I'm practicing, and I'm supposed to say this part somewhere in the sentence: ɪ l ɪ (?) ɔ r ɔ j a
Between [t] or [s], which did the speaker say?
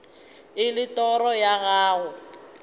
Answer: t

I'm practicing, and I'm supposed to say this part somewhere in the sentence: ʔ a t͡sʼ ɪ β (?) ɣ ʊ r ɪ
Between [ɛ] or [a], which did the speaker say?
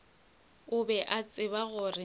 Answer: a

